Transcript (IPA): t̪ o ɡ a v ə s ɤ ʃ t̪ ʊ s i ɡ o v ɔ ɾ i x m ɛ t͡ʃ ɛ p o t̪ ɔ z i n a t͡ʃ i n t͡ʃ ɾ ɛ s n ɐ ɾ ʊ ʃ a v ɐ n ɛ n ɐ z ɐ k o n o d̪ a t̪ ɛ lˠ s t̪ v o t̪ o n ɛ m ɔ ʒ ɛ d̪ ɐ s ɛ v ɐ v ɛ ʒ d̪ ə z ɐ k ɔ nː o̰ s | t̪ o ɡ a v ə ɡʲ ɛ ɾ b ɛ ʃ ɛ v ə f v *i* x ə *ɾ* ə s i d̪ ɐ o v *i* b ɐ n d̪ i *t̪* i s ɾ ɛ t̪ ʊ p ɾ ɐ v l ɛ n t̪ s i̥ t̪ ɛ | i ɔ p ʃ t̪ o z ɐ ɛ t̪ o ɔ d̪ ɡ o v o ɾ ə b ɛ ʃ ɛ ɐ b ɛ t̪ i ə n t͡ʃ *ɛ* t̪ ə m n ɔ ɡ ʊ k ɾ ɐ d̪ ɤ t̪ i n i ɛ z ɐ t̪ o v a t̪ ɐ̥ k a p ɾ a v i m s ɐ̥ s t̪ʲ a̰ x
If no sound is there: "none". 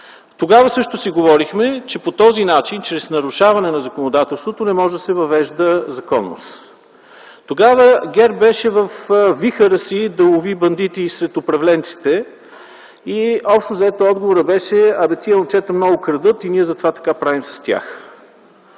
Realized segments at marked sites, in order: i, ɾ, i, t̪, ɛ

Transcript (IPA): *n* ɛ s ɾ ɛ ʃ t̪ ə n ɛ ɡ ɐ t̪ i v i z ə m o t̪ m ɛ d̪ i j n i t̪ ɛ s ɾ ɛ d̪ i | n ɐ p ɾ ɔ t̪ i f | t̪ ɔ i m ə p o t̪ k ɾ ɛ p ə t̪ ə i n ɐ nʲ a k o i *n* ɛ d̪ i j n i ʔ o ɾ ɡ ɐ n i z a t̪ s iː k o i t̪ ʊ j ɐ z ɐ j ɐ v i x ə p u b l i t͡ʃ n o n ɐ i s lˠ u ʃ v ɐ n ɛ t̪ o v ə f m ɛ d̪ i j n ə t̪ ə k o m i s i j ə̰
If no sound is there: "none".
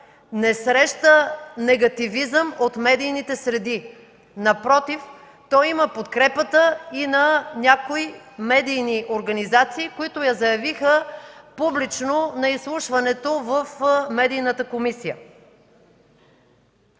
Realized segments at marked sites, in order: n, m

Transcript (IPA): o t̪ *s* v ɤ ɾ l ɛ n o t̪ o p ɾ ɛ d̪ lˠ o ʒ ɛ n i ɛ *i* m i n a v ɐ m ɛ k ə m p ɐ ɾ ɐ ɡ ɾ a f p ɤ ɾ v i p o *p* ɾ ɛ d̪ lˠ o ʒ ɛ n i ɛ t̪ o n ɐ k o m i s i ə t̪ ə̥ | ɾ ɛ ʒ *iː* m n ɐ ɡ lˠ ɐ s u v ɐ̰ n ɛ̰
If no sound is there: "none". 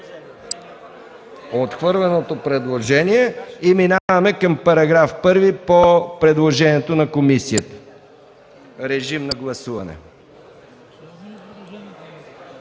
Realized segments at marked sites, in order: x, i, p, i

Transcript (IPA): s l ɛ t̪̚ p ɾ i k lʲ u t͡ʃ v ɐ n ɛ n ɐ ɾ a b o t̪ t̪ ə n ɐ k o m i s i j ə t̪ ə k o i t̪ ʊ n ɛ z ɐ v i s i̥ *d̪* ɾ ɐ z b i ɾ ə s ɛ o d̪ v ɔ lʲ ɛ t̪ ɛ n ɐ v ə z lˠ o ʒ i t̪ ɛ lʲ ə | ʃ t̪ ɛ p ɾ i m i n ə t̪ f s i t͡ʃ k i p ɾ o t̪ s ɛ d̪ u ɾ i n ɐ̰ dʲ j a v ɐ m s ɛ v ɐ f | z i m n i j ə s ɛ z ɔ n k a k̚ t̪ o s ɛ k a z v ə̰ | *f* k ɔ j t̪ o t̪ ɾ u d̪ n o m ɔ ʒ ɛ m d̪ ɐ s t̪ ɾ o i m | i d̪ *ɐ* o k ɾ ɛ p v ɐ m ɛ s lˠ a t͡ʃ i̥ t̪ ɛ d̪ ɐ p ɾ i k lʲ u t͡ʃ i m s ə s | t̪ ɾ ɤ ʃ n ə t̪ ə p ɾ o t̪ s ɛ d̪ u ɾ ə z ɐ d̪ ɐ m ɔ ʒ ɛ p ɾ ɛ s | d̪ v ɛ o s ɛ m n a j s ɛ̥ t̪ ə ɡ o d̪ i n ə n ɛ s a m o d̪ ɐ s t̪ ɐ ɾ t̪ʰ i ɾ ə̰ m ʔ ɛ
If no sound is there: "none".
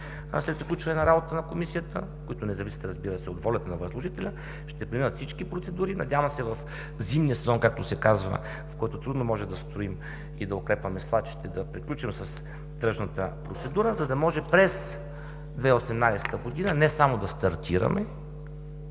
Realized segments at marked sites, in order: t̪, f, ɐ

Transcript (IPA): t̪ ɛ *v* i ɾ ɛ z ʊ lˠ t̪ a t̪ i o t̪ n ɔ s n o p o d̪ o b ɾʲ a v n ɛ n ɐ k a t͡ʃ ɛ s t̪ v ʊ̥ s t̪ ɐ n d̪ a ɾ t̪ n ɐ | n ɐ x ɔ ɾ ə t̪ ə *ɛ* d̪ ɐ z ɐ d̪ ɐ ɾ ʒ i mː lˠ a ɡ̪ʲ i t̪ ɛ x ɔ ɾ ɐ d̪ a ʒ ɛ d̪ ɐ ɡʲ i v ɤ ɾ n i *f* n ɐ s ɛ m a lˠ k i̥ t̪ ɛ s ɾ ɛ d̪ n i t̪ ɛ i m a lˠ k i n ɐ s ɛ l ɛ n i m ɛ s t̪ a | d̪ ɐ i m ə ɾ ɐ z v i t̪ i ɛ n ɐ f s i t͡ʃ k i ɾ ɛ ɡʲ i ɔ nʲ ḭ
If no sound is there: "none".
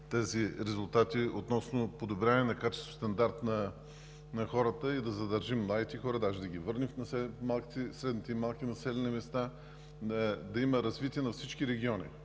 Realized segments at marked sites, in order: z, i, f

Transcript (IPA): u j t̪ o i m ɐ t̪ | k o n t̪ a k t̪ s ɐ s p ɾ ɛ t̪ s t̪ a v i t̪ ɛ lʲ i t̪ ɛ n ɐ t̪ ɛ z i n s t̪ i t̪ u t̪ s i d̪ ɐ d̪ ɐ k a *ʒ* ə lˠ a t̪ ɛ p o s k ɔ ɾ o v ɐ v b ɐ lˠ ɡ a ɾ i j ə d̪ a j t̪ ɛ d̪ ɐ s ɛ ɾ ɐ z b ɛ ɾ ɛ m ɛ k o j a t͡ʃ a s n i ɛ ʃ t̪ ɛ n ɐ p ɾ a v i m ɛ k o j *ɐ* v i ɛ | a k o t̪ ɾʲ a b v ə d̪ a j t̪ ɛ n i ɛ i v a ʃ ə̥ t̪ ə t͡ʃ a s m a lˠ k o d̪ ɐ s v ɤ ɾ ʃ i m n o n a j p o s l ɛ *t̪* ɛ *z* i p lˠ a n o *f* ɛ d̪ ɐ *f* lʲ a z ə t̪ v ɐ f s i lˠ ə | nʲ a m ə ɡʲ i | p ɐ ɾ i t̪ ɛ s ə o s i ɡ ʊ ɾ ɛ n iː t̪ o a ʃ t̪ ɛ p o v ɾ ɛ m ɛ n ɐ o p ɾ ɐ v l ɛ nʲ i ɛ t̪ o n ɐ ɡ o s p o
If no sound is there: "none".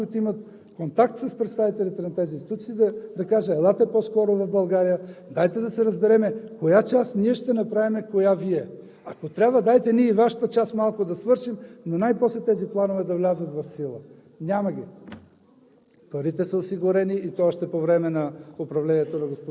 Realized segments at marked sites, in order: ʒ, a, t̪, z, v, v

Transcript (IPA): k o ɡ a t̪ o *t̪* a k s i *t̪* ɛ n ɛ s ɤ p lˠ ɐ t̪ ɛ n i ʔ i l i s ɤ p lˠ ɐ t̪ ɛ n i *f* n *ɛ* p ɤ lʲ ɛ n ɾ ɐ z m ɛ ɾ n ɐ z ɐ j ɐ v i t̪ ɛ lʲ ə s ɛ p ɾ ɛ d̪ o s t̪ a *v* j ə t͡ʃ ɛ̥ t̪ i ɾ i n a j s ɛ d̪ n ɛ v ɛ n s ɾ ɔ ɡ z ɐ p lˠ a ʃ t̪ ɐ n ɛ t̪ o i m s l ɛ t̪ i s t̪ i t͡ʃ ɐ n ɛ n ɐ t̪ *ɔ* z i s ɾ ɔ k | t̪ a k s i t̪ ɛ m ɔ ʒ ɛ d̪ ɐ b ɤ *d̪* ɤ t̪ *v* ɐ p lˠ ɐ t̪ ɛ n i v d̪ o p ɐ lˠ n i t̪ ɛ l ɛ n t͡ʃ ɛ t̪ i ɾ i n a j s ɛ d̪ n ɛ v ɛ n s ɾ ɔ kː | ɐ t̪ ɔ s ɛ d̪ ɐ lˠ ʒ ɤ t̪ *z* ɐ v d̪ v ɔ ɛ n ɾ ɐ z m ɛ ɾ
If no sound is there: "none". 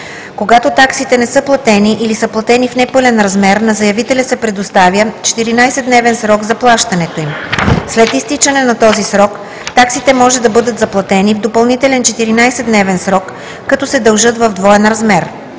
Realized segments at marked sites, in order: t̪, t̪, f, ɛ, v, ɔ, d̪, z, v

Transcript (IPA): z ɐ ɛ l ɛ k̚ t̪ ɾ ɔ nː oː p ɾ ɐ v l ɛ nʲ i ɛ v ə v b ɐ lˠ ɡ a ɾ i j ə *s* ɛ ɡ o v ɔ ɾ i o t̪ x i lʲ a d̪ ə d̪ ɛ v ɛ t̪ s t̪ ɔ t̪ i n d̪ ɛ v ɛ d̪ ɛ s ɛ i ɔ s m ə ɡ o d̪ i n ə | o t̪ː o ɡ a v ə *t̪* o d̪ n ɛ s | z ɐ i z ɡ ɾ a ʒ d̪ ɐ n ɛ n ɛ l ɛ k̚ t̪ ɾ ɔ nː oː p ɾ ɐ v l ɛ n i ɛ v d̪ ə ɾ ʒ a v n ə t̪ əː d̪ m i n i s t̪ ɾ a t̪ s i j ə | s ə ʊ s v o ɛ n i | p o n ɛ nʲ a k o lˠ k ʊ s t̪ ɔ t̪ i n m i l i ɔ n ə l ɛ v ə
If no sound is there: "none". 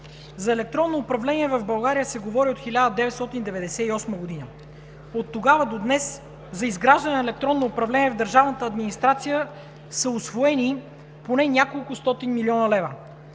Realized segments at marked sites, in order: s, d̪

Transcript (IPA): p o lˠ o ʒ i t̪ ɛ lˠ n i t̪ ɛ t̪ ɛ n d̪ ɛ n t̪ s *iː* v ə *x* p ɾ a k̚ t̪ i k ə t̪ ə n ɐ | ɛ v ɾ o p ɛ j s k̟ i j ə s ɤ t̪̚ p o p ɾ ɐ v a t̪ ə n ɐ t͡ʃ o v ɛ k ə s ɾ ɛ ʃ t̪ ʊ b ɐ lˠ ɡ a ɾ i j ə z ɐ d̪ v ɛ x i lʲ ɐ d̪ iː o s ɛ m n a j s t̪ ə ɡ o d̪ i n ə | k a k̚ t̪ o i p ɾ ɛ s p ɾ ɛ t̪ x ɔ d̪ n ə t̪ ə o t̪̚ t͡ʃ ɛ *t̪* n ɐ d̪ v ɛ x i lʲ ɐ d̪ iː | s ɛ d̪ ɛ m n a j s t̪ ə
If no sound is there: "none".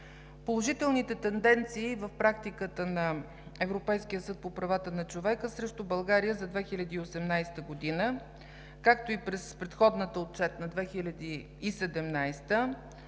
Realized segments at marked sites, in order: iː, f, t̪

